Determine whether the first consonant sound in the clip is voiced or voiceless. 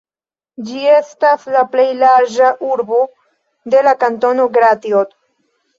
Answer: voiced